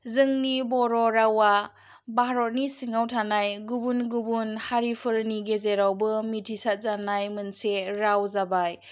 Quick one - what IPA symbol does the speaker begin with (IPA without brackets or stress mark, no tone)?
z